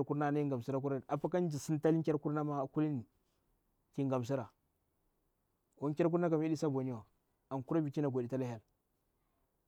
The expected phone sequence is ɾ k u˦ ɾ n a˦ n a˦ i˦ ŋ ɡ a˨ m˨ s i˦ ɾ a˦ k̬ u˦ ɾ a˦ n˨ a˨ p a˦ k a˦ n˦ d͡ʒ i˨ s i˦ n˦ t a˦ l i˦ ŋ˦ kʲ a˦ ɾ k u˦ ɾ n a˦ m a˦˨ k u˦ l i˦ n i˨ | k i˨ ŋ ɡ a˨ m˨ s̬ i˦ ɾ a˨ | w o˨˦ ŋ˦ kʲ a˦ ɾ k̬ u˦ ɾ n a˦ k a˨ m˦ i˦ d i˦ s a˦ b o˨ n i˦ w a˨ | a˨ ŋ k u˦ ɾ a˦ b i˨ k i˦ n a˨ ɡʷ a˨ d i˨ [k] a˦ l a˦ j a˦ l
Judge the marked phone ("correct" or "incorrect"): incorrect